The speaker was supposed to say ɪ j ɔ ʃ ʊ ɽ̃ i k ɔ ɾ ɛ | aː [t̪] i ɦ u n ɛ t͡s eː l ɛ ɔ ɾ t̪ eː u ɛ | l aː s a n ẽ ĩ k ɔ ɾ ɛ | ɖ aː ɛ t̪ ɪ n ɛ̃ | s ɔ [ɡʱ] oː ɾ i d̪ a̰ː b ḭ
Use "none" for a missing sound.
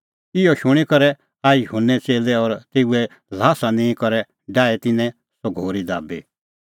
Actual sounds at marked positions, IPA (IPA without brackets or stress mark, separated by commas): none, ɡʱ